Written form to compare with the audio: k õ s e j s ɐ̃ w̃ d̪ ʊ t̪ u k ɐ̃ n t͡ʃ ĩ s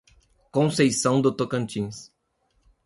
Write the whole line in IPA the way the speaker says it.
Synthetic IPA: k õ s e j s ɐ̃ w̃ d̪ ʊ t̪ o k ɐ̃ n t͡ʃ ĩ s